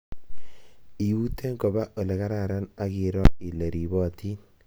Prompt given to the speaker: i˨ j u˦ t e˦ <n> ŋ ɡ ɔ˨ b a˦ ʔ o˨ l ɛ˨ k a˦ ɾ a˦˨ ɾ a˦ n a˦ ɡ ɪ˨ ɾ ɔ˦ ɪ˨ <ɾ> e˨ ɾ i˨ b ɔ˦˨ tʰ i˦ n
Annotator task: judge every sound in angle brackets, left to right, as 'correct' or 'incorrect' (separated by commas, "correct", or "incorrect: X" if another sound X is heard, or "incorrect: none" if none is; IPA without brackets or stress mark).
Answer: incorrect: none, incorrect: l